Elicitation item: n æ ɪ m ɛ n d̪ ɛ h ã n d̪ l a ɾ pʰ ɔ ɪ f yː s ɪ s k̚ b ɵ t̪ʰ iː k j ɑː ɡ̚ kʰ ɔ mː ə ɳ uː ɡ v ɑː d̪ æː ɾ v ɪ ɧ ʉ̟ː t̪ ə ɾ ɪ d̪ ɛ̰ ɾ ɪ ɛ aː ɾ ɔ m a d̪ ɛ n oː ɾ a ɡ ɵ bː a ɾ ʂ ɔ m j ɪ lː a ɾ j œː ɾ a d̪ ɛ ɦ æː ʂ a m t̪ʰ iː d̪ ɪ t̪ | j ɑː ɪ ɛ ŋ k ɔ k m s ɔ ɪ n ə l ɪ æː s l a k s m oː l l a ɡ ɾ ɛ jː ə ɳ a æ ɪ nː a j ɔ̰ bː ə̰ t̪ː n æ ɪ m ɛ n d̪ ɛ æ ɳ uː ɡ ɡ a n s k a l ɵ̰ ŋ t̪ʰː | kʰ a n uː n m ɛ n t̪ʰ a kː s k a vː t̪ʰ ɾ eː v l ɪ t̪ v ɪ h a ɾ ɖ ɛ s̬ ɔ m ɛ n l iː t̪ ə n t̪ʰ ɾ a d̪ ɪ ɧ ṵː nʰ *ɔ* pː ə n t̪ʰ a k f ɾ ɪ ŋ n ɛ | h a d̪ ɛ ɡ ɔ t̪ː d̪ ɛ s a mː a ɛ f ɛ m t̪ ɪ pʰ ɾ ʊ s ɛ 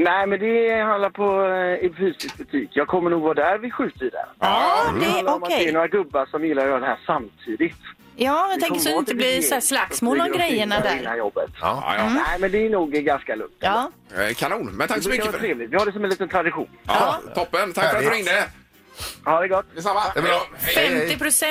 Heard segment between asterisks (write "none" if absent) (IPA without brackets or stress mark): ɔ